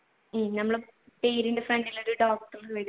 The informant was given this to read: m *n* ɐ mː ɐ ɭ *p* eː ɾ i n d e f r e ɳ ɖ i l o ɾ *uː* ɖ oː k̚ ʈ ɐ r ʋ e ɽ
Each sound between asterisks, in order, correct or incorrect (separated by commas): correct, correct, incorrect